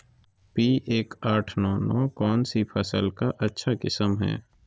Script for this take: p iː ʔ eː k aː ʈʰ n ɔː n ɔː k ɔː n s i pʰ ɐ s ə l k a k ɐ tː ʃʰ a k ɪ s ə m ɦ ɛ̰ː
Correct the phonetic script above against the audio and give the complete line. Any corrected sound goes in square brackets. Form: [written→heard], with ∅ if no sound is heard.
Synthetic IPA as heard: p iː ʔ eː k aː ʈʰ n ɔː n ɔː k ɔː n s i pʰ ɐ s ə l k a [k→ʔ] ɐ tː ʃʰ a k ɪ s ə m ɦ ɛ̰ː